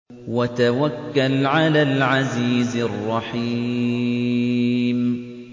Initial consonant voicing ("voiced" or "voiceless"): voiced